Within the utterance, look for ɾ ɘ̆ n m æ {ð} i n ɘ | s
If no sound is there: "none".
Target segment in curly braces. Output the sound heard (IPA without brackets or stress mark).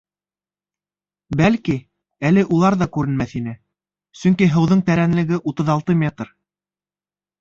θ